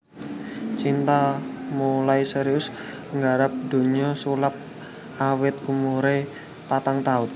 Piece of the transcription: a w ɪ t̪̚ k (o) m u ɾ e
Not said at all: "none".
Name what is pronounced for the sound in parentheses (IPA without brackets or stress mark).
u